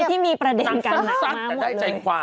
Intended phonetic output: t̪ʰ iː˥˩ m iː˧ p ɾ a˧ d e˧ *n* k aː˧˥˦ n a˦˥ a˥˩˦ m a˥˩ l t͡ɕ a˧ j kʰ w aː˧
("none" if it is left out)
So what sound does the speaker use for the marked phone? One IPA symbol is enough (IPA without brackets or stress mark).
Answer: n